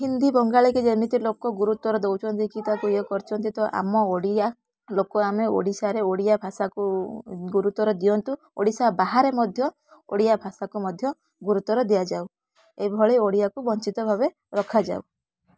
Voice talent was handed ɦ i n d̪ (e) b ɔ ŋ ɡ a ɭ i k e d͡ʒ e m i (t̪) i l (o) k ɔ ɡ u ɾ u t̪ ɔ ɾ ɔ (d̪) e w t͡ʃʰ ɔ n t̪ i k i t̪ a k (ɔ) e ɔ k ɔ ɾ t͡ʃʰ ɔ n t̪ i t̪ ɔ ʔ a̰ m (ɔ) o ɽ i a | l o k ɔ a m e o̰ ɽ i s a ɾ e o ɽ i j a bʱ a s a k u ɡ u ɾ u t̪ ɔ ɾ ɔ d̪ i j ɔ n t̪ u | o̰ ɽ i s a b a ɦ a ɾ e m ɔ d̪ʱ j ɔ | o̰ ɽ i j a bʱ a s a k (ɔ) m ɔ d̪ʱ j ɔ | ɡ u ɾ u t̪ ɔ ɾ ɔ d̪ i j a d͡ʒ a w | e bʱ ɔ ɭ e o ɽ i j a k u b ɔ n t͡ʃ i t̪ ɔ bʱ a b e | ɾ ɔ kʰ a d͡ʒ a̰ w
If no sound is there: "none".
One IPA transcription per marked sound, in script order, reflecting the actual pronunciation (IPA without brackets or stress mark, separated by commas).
i, t̪, o, d̪, u, ɔ, u